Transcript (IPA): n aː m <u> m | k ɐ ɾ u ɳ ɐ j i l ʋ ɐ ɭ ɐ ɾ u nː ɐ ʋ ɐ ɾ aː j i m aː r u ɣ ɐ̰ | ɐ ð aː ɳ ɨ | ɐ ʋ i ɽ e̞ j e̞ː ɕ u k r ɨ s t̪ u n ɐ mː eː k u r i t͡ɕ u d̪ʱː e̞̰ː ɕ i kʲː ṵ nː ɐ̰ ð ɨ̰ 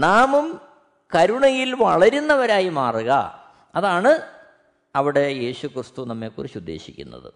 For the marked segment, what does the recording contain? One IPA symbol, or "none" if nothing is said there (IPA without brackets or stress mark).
u